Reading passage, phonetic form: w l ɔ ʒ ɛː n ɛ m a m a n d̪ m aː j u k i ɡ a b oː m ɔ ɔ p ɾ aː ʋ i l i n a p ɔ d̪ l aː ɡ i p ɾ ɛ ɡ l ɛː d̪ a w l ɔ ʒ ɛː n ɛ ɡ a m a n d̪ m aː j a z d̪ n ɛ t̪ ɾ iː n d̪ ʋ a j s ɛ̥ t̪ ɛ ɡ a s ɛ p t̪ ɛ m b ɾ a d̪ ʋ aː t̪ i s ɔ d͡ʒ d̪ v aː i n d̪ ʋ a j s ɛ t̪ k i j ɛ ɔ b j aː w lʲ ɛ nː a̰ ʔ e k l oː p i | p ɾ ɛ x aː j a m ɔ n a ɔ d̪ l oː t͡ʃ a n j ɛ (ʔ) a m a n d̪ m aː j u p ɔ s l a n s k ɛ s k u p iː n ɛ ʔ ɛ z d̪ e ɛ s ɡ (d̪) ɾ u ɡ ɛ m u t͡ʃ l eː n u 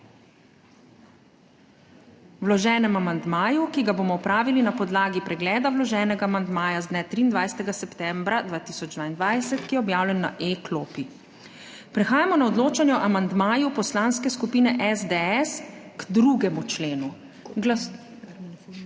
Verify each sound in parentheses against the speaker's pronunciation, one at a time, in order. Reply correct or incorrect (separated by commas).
correct, correct